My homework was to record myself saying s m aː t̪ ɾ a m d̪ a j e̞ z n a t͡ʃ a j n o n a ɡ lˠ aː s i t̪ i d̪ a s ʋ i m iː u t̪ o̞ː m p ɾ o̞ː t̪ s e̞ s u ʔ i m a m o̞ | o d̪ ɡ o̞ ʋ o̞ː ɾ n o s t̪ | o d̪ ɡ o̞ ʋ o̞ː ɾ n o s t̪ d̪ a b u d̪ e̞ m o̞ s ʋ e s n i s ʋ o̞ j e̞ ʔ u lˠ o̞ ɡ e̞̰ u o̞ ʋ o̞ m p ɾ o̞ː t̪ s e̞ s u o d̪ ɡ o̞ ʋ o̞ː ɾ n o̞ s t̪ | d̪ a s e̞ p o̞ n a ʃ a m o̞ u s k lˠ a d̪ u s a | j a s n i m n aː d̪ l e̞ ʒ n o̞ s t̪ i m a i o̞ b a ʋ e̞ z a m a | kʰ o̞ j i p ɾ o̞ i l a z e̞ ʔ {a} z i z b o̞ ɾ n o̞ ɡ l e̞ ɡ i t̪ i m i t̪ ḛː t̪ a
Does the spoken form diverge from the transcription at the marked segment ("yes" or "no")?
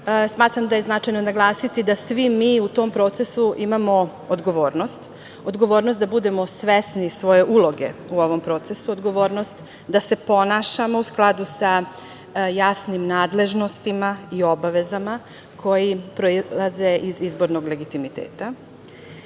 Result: yes